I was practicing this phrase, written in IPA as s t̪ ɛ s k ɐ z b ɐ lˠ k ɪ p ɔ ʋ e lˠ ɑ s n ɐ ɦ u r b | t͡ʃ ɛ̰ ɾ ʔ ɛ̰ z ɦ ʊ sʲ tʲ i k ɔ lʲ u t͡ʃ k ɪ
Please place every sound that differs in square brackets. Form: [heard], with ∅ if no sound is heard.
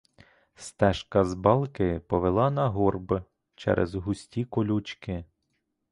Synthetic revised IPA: s t̪ ɛ [ʃ] k ɐ z b [ɑ] lˠ k ɪ p ɔ ʋ e lˠ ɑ [∅] n ɐ ɦ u r b | t͡ʃ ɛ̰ ɾ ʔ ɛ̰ z ɦ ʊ sʲ tʲ i k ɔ lʲ u t͡ʃ k ɪ